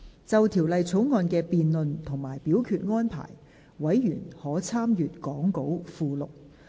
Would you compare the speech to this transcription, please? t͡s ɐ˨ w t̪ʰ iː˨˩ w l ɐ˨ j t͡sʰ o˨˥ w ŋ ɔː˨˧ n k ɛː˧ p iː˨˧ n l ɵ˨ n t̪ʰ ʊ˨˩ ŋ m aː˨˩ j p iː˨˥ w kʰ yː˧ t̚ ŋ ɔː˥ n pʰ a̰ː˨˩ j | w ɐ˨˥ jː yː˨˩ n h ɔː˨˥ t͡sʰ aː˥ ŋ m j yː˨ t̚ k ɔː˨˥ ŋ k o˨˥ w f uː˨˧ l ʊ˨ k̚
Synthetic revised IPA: t͡s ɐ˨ w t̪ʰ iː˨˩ w l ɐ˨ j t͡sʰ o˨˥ w ŋ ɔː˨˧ n k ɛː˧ p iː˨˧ n l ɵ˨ n t̪ʰ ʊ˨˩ ŋ m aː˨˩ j p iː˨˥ w kʰ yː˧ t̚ ŋ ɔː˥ n pʰ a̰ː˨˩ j | w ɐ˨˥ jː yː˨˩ n h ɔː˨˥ t͡sʰ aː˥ m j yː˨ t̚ k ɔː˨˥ ŋ k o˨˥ w f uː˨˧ l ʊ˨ k̚